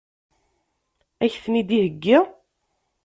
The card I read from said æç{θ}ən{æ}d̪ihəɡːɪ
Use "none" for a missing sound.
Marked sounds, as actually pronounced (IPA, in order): θ, i

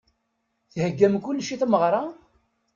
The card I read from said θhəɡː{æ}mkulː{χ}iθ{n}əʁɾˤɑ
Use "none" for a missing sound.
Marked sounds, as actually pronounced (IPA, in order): æ, ʃ, m

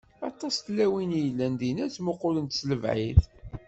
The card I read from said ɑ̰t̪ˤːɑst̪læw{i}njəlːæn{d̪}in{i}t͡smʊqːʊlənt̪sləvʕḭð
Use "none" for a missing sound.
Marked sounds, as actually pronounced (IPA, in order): i, d̪, æ

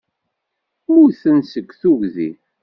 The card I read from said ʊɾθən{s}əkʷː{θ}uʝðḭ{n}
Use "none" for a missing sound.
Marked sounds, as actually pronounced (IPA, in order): s, θ, none

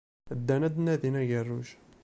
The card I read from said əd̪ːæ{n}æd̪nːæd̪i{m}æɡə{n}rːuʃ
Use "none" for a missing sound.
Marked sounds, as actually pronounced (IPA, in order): n, n, none

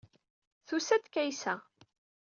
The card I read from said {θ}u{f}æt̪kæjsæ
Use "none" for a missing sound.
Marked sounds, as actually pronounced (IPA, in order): θ, s

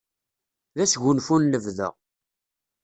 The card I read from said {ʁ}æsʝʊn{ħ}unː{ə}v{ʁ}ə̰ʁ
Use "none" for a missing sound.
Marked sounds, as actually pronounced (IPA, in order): ð, f, ə, ð

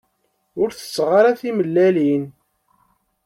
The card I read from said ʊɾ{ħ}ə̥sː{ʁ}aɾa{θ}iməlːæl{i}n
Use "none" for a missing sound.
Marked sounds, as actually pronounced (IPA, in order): θ, ʁ, θ, i

